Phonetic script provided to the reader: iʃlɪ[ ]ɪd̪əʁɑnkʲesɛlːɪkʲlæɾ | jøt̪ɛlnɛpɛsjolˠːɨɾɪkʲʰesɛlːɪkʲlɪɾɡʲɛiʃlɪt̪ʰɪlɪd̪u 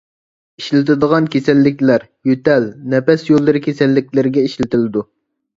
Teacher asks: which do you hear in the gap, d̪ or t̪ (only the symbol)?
t̪